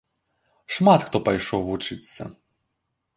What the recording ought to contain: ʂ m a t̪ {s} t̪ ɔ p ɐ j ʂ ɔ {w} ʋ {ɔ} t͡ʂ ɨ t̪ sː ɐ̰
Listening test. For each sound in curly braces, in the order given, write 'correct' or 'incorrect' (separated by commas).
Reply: incorrect, correct, incorrect